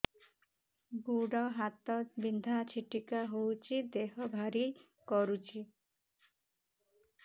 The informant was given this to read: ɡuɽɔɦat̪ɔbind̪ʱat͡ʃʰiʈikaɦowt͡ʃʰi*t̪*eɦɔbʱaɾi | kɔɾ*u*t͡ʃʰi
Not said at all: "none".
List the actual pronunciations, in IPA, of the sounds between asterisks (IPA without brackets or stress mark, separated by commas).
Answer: d̪, u